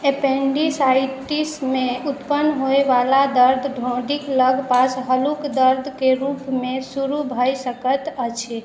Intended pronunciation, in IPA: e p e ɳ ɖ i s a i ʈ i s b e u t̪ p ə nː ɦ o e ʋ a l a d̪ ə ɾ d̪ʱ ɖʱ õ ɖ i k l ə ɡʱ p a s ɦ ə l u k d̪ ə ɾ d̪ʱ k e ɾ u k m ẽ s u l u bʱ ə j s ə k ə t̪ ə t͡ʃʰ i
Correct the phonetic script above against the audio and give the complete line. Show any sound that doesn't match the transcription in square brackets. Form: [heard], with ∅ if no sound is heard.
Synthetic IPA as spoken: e p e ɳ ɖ i s a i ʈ i s [m] e u t̪ p ə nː ɦ o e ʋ a l a d̪ ə ɾ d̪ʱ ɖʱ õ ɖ i k l ə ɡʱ p a s ɦ ə l u k d̪ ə ɾ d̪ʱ k e ɾ u [p] m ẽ s u [ɾ] u bʱ ə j s ə k ə t̪ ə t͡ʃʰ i

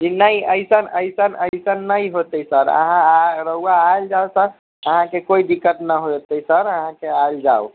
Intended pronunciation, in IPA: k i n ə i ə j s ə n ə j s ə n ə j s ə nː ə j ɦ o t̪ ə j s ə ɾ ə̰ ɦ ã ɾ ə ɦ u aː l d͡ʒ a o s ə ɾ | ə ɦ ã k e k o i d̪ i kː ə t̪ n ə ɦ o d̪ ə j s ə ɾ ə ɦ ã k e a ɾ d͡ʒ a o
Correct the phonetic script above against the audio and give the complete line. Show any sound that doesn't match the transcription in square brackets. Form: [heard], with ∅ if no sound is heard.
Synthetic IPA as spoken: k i n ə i ə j s ə n ə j s ə n ə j s ə nː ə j ɦ o t̪ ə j s ə ɾ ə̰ ɦ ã ɾ ə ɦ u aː l d͡ʒ a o s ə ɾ | ə ɦ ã k e k o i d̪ i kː ə t̪ n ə ɦ o [t̪] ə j s ə ɾ ə ɦ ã k e a [l] d͡ʒ a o

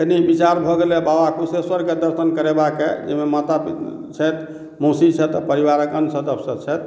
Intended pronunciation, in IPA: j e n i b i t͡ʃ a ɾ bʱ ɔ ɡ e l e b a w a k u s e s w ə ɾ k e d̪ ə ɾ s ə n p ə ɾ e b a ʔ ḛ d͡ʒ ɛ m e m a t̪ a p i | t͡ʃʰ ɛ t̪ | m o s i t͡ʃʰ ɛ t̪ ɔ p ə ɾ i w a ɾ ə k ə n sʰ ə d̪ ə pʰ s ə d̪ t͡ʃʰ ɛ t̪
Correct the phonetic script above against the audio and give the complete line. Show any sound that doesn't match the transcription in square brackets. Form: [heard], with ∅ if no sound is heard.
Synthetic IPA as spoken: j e n i b i t͡ʃ a ɾ bʱ ɔ ɡ e l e b a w a k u s e s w ə ɾ k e d̪ ə ɾ s ə n [k] ə ɾ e b a [k] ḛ d͡ʒ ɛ m e m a t̪ a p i | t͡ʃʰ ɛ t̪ | m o s i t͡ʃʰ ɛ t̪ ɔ p ə ɾ i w a ɾ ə k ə n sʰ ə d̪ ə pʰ s ə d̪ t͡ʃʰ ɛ t̪

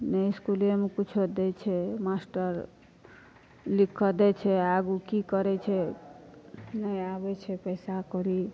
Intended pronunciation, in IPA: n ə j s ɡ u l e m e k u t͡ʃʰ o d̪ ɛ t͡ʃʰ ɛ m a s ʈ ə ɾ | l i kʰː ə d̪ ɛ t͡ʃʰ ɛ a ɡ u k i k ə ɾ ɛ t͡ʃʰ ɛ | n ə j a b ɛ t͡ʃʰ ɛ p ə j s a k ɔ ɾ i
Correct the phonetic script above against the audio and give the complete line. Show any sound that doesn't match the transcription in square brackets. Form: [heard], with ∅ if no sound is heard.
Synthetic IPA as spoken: n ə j s [k] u l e m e k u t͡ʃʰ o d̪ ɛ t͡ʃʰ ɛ m a s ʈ ə ɾ | l i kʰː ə d̪ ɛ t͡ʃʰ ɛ a ɡ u k i k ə ɾ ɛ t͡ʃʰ ɛ | n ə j a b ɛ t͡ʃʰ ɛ p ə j s a k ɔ ɾ i

